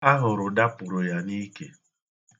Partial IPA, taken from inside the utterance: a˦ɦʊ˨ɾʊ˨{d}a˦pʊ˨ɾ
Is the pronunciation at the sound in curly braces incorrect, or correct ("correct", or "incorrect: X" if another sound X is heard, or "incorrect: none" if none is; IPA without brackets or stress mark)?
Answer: correct